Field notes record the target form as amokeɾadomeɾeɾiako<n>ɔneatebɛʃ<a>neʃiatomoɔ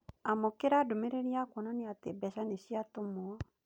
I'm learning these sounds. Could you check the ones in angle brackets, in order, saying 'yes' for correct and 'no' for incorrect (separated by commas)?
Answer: yes, yes